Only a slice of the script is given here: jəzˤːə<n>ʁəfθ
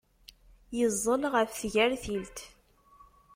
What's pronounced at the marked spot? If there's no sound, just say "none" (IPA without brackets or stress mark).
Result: n